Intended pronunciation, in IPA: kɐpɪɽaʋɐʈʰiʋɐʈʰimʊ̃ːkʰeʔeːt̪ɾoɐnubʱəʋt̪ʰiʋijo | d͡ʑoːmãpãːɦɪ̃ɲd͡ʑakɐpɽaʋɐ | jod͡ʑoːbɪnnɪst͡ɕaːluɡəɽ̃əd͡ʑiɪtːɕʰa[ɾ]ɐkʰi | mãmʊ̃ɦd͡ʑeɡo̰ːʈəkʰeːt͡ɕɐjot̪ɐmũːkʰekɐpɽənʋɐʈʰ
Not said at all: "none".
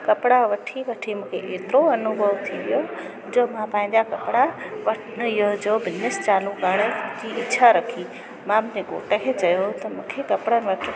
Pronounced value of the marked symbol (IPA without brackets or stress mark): ɾ